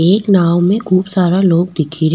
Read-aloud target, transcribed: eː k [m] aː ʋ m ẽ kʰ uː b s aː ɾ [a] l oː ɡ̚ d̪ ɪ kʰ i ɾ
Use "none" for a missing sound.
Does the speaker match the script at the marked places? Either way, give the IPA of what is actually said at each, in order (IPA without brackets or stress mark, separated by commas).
n, a